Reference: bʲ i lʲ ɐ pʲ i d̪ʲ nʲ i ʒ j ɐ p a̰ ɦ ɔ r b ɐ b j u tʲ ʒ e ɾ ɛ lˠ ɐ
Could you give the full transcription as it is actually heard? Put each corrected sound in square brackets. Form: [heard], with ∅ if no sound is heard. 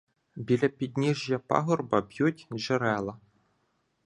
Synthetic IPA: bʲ i lʲ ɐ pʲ i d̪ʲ nʲ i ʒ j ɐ p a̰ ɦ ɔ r b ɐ b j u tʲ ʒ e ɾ ɛ lˠ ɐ